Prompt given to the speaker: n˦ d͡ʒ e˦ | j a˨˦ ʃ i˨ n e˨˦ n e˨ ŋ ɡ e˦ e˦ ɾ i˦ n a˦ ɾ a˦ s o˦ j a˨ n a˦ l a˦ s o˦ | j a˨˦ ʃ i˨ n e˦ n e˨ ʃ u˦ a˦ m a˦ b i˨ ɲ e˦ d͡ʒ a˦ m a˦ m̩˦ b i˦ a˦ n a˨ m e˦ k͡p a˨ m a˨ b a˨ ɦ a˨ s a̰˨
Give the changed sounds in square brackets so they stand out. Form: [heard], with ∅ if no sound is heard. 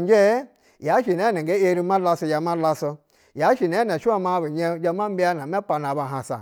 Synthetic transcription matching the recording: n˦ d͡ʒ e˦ | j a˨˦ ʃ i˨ n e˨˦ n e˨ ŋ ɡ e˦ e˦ ɾ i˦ [m] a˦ [l] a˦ s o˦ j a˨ [m] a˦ l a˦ s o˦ | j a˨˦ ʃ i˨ n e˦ n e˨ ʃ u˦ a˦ m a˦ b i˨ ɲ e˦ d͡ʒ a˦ m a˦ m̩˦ b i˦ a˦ n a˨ m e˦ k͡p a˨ [n] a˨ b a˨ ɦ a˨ s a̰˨